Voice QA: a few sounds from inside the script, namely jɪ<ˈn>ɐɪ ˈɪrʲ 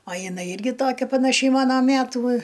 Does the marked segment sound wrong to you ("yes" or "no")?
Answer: no